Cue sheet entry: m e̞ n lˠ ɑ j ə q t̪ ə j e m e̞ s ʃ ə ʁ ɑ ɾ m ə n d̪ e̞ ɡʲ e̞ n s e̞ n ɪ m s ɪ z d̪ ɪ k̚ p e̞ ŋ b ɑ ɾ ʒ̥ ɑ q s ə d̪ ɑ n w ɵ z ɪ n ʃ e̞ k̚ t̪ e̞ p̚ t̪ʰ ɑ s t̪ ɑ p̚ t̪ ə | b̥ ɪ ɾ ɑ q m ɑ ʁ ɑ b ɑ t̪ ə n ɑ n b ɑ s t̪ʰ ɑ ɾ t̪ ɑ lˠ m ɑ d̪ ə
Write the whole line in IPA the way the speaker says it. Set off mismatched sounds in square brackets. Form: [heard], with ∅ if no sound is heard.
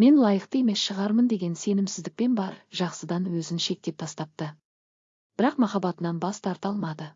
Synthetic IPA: m e̞ n lˠ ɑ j ə q t̪ ə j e m e̞ s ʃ ə ʁ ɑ ɾ m ə n d̪ e̞ ɡʲ e̞ n s e̞ n ɪ m s ɪ z d̪ ɪ k̚ p e̞ [n] b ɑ ɾ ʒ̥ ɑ q s ə d̪ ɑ n w ɵ z ɪ n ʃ e̞ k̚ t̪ e̞ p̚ t̪ʰ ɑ s t̪ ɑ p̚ t̪ ə | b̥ ɪ ɾ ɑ q m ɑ [χ] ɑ b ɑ t̪ ə n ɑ n b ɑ s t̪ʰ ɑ ɾ t̪ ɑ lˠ m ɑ d̪ ə